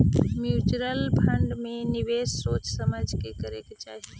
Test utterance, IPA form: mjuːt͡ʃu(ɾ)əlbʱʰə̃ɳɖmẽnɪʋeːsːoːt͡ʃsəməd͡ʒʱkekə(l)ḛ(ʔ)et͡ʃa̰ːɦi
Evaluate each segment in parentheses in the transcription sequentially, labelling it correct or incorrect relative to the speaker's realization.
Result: correct, incorrect, incorrect

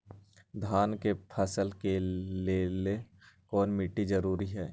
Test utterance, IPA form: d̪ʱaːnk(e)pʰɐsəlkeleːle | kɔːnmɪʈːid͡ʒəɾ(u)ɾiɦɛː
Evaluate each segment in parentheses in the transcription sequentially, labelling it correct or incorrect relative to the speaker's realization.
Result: correct, incorrect

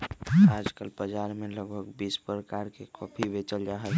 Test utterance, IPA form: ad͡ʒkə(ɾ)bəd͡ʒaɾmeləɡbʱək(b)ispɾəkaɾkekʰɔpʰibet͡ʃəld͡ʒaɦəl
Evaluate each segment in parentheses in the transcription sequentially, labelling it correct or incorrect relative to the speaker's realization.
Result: incorrect, correct

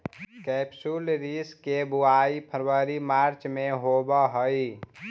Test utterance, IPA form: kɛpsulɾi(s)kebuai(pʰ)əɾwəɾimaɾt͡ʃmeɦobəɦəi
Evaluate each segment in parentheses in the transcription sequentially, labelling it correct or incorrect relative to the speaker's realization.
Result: correct, correct

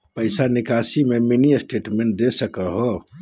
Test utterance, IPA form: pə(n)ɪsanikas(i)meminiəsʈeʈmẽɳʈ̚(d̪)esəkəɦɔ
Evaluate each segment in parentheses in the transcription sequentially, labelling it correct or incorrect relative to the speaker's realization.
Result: incorrect, correct, correct

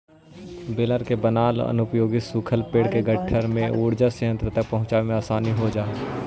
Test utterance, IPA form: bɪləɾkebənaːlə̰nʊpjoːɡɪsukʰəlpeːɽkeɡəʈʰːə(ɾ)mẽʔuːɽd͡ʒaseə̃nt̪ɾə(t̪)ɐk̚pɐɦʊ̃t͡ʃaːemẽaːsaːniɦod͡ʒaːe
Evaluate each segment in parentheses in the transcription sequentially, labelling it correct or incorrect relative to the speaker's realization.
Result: correct, correct

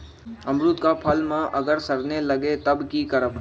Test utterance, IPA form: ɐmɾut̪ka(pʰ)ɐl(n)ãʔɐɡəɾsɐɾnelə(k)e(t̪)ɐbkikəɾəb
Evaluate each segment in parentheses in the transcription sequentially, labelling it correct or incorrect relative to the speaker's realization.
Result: correct, incorrect, incorrect, correct

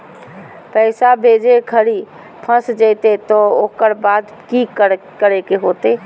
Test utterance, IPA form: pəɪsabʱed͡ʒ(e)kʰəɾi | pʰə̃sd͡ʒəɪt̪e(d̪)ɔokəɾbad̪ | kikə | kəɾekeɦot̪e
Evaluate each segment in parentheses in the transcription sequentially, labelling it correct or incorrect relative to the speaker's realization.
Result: correct, incorrect

